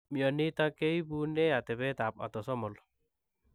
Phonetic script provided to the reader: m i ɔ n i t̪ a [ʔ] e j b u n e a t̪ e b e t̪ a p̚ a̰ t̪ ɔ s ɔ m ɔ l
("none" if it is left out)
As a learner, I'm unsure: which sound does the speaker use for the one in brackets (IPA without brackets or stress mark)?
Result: k